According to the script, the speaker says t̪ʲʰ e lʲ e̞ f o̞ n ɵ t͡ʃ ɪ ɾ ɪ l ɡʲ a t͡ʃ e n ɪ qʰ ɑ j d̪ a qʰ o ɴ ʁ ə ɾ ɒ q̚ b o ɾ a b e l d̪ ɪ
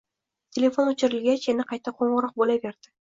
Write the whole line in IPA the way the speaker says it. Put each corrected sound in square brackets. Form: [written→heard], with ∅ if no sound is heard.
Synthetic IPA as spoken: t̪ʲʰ e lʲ e̞ f o̞ n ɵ t͡ʃ ɪ ɾ ɪ l ɡʲ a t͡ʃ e n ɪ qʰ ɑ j [d̪→t̪] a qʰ o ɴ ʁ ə ɾ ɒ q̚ b o [ɾ→l] a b e [l→ɾ] d̪ ɪ